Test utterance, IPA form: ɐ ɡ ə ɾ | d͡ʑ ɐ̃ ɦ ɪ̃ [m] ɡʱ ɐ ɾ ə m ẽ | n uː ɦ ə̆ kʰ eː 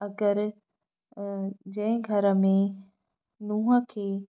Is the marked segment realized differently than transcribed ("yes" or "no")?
yes